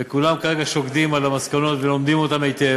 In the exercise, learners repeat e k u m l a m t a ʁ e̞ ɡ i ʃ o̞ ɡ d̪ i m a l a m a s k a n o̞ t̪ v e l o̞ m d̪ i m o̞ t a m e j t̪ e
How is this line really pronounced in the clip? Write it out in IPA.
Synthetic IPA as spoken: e k u l a m k a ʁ e̞ ɡ a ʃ o̞ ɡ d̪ i m a l a m a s k a n o̞ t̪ v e l o̞ m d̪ i m o̞ t a m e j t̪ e